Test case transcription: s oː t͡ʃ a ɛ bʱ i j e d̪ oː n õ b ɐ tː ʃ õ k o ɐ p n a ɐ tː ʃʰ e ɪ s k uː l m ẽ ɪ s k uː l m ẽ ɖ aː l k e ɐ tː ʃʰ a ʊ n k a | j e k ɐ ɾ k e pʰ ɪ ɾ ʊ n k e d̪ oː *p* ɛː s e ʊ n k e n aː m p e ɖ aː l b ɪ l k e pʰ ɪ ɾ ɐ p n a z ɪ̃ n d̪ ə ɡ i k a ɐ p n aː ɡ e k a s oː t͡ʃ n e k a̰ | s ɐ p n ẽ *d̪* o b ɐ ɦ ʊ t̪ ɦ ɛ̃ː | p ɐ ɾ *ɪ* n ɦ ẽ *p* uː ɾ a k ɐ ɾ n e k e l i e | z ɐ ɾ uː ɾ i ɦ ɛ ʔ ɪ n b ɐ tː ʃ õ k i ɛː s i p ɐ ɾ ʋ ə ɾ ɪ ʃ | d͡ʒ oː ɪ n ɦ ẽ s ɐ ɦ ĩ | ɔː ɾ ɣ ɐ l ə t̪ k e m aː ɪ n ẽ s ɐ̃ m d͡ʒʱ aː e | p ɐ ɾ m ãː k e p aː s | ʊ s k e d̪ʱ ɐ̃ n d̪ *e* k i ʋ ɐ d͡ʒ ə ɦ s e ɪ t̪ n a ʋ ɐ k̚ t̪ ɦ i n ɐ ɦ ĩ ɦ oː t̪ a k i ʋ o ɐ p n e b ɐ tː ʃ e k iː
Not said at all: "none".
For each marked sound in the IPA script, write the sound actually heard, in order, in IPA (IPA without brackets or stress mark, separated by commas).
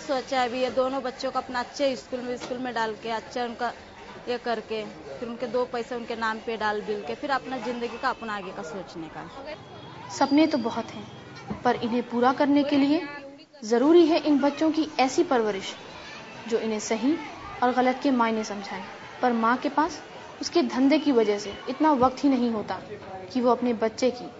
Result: p, t̪, ɪ, p, e